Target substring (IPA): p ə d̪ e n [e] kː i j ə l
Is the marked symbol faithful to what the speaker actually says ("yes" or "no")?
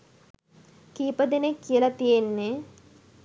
yes